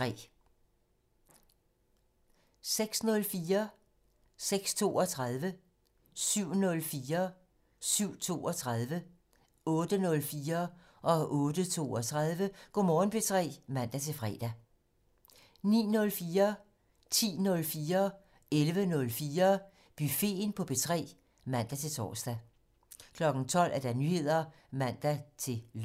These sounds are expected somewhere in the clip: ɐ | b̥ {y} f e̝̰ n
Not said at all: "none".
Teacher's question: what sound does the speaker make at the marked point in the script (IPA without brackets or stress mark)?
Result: y